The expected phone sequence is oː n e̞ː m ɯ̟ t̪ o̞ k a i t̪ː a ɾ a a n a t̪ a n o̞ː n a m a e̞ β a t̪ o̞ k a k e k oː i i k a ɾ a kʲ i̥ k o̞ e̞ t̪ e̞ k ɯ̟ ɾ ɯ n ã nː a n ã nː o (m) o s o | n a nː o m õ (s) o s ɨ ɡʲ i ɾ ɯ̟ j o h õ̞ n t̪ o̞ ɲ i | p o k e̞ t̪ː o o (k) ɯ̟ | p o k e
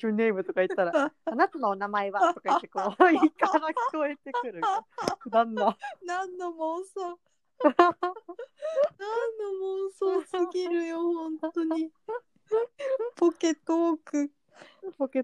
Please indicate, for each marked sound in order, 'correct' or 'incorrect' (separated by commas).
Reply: correct, correct, correct